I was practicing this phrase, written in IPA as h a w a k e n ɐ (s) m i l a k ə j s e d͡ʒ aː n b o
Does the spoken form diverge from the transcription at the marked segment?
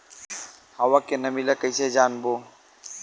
yes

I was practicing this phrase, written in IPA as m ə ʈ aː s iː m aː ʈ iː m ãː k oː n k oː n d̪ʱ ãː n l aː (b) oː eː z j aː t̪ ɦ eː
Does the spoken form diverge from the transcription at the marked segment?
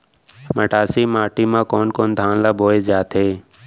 no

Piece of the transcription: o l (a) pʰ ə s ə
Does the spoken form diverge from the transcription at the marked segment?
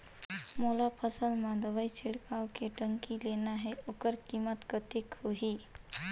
no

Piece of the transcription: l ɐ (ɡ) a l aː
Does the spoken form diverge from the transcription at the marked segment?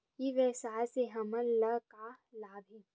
yes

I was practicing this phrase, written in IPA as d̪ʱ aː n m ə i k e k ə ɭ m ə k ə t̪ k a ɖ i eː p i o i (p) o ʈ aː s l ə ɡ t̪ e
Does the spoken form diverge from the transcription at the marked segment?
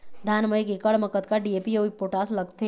no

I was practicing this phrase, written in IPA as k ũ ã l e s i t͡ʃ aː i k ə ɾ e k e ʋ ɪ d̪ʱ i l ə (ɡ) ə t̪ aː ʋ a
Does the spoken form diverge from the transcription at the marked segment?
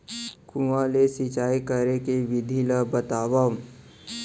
yes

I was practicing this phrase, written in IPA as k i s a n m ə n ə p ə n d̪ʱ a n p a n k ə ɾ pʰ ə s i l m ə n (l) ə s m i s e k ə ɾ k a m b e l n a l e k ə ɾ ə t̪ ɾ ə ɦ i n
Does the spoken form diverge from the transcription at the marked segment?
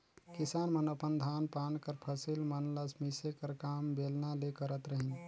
no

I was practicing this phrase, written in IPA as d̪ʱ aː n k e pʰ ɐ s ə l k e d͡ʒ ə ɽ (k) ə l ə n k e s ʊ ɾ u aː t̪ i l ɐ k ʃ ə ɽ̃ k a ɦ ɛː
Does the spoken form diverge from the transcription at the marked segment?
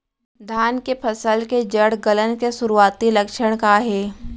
yes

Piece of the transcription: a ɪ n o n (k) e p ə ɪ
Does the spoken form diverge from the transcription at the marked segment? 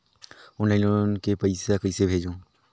no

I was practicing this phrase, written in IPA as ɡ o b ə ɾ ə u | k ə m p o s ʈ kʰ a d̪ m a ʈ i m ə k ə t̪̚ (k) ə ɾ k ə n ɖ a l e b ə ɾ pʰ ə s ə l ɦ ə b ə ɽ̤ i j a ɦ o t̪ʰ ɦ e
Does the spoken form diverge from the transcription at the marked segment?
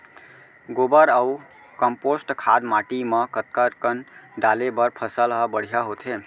no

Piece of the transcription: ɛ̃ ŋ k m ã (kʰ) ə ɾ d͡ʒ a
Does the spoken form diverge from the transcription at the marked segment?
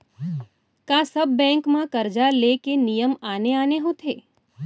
yes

